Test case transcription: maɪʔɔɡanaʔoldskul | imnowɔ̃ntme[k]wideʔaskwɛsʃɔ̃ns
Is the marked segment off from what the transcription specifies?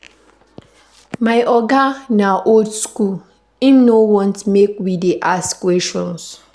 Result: no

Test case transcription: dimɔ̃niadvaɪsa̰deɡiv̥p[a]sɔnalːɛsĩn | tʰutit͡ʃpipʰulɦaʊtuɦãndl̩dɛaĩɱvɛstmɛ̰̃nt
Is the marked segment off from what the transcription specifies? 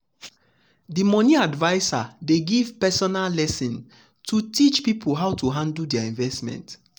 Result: yes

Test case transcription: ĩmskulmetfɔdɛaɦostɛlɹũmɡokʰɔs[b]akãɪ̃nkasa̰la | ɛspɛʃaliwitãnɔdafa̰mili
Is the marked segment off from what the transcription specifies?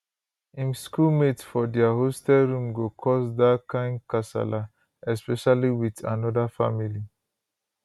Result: yes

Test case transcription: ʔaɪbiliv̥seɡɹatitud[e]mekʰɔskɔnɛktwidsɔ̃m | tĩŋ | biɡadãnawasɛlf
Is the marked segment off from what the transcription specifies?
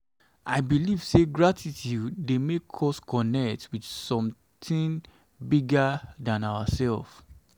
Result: no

